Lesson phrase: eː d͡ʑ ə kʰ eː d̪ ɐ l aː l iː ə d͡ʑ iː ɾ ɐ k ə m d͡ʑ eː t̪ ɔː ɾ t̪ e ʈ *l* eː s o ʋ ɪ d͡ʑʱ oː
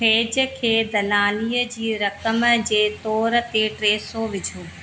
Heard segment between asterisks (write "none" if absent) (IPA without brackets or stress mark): ɾ